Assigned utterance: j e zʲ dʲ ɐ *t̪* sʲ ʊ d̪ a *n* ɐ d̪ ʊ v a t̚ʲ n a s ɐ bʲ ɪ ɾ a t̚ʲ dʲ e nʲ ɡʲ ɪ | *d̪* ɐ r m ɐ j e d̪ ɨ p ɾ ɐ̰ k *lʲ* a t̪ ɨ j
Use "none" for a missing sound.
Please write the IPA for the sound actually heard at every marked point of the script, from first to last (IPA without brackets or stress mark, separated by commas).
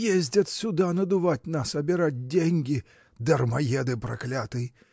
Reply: t̪, n, d̪, lʲ